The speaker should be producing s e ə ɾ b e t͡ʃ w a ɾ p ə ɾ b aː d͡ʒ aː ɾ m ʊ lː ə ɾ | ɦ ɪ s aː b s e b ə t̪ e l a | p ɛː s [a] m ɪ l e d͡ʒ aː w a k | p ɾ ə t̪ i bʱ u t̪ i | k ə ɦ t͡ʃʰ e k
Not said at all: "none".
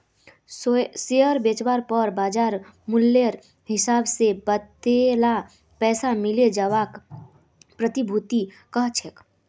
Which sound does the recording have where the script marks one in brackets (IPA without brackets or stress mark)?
a